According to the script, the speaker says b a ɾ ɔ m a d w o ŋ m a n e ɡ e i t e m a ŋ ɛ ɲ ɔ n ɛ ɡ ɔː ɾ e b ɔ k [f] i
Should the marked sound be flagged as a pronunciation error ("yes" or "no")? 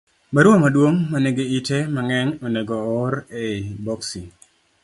yes